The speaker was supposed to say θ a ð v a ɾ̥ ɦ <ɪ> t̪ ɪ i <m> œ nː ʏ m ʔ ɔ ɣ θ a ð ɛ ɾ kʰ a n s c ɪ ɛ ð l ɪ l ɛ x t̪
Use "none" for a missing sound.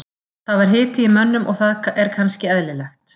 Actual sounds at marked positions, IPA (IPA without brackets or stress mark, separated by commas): ɪː, m